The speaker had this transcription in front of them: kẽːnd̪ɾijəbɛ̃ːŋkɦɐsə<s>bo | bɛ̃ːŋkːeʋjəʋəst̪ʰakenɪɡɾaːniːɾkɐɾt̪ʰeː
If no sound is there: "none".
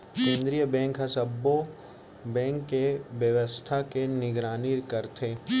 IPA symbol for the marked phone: none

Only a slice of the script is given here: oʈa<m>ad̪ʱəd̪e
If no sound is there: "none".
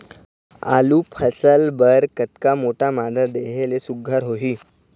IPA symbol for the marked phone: m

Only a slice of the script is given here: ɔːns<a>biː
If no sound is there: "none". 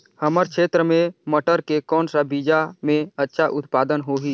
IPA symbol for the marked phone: a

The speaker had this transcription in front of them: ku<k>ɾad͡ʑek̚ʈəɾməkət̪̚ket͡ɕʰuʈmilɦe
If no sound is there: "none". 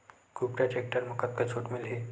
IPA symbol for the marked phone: p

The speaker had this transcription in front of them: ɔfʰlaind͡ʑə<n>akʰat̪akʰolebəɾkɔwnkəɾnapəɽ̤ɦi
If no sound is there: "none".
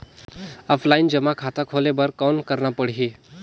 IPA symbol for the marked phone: m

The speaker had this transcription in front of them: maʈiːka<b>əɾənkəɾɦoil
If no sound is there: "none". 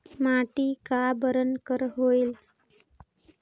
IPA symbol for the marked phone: b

